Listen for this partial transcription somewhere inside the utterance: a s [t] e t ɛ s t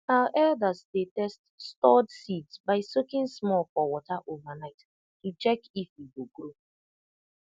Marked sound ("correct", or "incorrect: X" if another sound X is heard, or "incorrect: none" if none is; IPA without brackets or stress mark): incorrect: d